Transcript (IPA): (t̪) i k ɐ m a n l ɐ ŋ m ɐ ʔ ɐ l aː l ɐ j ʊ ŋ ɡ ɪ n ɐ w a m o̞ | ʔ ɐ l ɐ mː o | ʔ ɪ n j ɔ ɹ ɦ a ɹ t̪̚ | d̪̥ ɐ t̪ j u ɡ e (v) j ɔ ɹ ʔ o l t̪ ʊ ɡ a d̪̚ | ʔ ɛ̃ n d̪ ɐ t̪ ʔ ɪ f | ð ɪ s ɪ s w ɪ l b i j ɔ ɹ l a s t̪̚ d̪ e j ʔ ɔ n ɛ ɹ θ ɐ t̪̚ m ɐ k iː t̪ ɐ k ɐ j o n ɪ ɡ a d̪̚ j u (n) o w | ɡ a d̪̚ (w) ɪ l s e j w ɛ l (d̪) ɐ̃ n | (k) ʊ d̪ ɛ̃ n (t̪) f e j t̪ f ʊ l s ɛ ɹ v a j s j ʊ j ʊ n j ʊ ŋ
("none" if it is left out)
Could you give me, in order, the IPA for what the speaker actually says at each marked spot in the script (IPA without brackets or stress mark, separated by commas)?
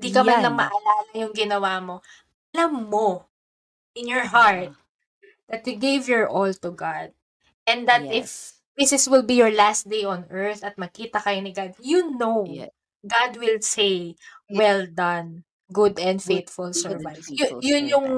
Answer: d̪, v, n, w, d̪, ɡ, d̪